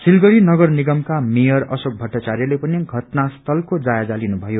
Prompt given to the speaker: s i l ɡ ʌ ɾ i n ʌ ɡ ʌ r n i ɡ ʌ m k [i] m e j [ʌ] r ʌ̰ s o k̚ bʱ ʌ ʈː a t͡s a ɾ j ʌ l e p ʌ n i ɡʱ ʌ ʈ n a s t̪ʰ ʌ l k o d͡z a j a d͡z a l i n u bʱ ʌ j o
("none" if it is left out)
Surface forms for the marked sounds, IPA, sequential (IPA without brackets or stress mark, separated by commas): a, ʌ